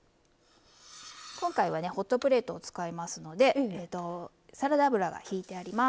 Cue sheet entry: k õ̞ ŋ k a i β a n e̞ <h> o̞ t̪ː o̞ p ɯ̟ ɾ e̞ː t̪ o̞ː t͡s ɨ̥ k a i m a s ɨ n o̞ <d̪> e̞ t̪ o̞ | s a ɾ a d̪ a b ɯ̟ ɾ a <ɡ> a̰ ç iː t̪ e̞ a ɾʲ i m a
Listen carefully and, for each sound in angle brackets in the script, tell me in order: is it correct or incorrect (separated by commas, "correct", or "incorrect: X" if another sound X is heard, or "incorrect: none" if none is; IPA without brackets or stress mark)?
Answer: correct, correct, correct